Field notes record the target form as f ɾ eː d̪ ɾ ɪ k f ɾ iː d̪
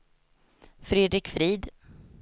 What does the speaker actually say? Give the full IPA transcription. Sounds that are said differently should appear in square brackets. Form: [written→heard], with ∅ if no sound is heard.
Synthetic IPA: f ɾ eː d̪ ɾ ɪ k f ɾ iː d̪